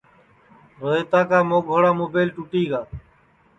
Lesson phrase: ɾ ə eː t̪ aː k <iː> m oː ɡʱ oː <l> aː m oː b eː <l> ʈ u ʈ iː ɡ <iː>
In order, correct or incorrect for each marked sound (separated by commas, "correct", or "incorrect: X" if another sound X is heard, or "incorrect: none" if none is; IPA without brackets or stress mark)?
incorrect: aː, incorrect: ɽ, correct, incorrect: aː